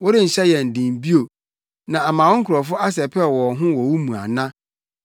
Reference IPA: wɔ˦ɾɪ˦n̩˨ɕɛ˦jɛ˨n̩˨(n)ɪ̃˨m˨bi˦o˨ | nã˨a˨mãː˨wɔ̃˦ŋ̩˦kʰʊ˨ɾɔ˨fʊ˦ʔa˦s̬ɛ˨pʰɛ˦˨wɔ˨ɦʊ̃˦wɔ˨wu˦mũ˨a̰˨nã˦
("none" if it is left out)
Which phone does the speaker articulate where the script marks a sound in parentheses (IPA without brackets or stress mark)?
d